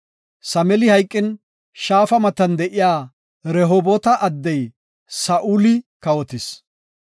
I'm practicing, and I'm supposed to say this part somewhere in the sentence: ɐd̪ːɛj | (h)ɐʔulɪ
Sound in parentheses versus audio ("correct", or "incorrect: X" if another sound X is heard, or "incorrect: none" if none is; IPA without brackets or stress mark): incorrect: s